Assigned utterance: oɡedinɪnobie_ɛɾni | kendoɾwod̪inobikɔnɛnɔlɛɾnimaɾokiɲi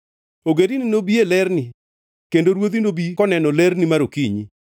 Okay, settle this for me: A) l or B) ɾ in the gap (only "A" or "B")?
A